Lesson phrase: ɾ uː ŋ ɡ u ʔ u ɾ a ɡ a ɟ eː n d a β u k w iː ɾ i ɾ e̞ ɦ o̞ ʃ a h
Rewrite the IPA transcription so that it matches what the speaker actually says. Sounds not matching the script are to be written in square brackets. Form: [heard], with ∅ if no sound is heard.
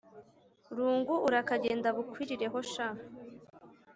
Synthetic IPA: ɾ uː ŋ ɡ u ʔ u ɾ a [k] a ɟ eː n d a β u k w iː ɾ i ɾ e̞ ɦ o̞ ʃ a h